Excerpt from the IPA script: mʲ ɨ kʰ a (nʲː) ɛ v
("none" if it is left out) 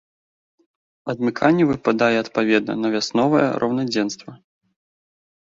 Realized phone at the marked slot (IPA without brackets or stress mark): nʲː